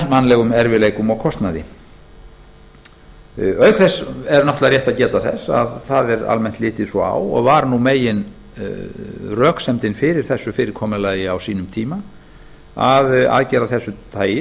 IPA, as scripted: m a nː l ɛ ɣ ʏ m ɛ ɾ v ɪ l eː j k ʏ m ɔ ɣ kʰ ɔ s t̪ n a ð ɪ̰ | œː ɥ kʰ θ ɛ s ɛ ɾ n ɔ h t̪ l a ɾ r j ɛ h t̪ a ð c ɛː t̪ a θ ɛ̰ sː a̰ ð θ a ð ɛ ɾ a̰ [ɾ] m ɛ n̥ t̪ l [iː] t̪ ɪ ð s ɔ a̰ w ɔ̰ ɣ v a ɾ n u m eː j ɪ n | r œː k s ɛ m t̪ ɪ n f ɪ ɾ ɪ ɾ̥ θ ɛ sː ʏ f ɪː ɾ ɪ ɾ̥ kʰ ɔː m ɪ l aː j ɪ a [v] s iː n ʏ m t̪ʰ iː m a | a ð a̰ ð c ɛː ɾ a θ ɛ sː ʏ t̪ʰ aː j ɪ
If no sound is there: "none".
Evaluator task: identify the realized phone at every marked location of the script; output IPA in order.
l, ɪː, w

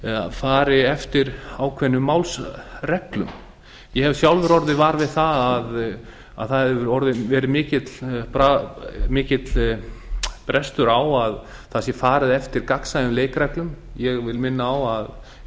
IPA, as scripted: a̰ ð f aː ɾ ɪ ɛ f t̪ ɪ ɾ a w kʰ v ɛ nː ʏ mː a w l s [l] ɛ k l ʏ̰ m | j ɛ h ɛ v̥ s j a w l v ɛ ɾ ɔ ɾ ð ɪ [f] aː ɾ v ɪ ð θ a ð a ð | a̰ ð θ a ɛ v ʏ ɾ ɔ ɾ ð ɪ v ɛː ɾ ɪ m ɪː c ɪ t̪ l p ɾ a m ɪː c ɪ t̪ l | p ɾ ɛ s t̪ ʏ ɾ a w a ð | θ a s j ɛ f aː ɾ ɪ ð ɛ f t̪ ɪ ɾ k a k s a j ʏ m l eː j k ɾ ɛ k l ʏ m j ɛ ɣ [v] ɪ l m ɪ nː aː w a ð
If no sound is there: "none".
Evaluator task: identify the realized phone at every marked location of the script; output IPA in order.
r, v, v

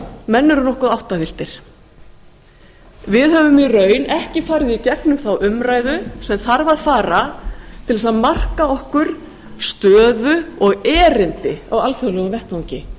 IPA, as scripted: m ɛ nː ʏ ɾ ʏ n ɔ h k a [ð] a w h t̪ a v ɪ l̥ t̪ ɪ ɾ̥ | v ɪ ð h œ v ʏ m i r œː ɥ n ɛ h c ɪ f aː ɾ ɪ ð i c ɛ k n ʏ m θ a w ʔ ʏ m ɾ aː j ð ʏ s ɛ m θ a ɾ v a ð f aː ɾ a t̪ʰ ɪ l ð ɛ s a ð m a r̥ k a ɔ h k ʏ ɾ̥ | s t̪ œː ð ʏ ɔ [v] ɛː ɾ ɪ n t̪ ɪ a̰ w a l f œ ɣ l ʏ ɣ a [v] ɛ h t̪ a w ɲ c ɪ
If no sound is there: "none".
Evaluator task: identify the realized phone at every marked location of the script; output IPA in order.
ð, ɣ, v

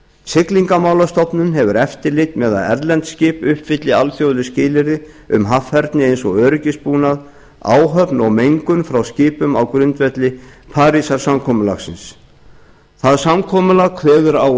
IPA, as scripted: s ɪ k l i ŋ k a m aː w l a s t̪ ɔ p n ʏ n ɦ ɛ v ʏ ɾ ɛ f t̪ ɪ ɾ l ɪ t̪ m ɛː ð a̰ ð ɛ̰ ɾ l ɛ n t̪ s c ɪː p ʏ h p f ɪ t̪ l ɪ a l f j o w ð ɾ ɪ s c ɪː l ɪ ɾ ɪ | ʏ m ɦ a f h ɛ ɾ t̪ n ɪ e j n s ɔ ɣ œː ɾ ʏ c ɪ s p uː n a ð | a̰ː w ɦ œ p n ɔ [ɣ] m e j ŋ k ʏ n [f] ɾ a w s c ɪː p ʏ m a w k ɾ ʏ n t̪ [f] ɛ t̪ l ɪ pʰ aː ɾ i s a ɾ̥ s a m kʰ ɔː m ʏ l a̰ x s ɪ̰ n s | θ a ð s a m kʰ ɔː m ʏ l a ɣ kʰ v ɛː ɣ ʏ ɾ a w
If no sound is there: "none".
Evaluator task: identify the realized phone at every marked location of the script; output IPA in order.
ɣ, f, v

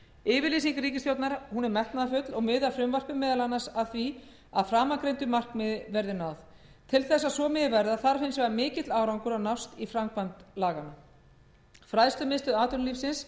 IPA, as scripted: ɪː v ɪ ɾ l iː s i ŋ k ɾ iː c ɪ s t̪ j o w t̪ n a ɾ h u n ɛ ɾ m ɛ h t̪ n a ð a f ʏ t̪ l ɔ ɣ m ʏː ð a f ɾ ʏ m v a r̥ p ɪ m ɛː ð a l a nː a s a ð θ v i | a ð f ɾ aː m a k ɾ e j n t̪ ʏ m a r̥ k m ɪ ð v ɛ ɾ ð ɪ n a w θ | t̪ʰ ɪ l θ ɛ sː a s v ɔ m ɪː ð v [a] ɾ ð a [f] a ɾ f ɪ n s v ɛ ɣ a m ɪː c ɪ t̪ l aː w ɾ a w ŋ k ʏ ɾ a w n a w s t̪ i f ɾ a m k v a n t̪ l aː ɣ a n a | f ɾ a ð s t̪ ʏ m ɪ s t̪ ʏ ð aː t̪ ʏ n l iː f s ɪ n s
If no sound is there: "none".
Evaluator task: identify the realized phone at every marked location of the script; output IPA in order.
ɛ, θ

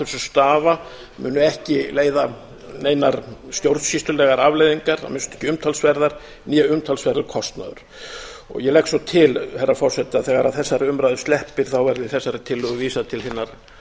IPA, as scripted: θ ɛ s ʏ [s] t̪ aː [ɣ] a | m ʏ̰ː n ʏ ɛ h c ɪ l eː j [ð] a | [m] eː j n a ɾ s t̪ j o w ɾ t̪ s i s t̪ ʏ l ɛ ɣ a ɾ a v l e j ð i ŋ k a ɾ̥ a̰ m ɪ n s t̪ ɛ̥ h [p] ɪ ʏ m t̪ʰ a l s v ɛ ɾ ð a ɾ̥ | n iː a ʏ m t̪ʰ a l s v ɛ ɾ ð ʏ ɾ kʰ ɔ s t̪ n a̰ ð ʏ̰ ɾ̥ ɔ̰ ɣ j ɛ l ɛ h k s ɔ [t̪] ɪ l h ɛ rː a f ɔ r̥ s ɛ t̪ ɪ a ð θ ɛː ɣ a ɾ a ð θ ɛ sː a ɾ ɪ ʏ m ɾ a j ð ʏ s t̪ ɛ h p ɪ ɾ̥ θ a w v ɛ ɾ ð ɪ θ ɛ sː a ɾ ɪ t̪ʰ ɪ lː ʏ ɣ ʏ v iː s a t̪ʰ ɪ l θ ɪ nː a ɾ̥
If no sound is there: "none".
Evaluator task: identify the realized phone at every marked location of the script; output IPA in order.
s, v, ð, n, c, t̪ʰ

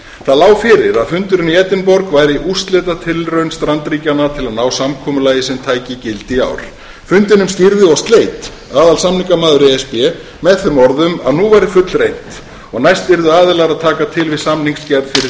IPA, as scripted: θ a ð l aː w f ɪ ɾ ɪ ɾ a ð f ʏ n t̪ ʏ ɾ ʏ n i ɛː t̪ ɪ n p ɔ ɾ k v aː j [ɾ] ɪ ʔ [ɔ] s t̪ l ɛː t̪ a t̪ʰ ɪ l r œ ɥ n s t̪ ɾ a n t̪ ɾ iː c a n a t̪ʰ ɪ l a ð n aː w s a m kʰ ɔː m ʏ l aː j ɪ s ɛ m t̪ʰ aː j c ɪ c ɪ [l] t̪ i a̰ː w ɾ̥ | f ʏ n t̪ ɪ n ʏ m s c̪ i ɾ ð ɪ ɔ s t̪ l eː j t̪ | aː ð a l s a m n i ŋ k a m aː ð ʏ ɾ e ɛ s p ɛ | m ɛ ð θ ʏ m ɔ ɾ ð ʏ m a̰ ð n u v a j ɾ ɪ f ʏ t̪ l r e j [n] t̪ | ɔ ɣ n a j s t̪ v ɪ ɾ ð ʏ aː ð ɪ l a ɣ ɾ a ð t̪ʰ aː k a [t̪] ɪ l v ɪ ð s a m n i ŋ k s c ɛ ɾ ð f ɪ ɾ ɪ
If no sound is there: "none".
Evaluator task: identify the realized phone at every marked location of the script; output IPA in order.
ɾ, u, l, n, t̪ʰ

